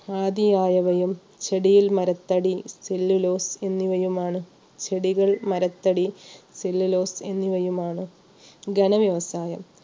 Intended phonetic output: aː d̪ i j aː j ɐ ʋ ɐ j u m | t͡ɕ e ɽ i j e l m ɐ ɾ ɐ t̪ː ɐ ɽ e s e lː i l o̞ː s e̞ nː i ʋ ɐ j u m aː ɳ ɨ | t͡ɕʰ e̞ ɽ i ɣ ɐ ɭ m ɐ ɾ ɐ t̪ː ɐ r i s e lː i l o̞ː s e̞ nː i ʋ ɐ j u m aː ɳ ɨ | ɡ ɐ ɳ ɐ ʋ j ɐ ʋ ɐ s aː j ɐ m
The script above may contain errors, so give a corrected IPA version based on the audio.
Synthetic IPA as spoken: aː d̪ i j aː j ɐ ʋ ɐ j u m | t͡ɕ e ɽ i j i l m ɐ ɾ ɐ t̪ː ɐ ɽ i s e lː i l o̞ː s e̞ nː i ʋ ɐ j u m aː ɳ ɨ | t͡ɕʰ e̞ ɽ i ɣ ɐ ɭ m ɐ ɾ ɐ t̪ː ɐ ɽ i s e lː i l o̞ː s e̞ nː i ʋ ɐ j u m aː ɳ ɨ | ɡ ɐ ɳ ɐ ʋ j ɐ ʋ ɐ s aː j ɐ m